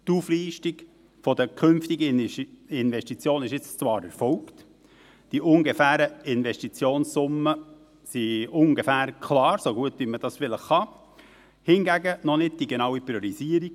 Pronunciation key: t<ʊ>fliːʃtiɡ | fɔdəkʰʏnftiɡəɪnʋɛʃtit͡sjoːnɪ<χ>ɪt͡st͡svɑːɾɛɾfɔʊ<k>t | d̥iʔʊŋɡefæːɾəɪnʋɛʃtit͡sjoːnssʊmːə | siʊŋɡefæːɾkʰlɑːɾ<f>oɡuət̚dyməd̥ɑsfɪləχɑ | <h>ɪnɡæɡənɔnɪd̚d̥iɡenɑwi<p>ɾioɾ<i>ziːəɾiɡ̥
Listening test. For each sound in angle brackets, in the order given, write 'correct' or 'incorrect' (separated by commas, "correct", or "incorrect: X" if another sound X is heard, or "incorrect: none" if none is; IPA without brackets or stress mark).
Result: incorrect: u, incorrect: ʃ, correct, incorrect: s, correct, correct, correct